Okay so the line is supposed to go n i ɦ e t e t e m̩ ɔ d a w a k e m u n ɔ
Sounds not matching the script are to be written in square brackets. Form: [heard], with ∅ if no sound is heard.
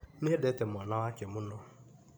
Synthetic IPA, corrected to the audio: n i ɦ e [d] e t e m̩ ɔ [n] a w a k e m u n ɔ